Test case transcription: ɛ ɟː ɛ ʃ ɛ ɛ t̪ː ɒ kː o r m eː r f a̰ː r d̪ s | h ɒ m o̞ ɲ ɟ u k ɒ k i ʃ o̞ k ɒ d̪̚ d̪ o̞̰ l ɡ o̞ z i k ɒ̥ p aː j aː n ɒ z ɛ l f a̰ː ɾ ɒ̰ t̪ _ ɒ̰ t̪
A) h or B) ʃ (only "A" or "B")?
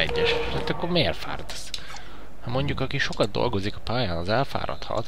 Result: A